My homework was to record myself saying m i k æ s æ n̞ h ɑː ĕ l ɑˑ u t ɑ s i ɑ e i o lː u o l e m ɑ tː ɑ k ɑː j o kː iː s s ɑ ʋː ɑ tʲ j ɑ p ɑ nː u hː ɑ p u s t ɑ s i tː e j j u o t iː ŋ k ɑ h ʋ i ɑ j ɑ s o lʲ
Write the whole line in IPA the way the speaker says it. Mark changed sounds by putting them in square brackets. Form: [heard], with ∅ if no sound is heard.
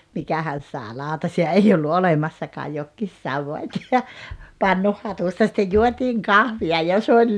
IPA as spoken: m i k æ [h] æ n̞ [s] ɑː ĕ l ɑˑ u t ɑ s i ɑ e i o lː u o l e m ɑ [sː] ɑ k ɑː j o kː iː s s ɑ ʋː ɑ tʲ j ɑ p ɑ nː u hː ɑ [t] u s t ɑ s i tː e j j u o t iː ŋ k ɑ h ʋ i ɑ j ɑ s o lʲ